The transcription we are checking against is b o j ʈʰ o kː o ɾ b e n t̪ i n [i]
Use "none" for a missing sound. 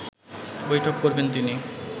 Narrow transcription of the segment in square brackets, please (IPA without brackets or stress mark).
i